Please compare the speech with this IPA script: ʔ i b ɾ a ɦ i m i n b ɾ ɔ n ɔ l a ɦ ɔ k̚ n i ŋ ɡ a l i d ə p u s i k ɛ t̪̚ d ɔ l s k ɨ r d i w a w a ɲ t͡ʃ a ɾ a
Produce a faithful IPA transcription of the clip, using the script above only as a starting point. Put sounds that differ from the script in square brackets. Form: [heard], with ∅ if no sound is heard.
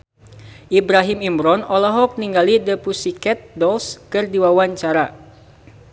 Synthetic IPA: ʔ i b ɾ a ɦ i m i [m] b ɾ ɔ n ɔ l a ɦ ɔ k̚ n i ŋ ɡ a l i d ə p u s i k ɛ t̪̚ d ɔ l s k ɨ r d i w a w a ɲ t͡ʃ a ɾ a